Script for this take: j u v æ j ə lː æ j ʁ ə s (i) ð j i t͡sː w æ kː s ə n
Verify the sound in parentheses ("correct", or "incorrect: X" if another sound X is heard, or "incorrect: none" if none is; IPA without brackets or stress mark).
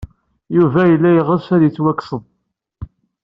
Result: incorrect: æ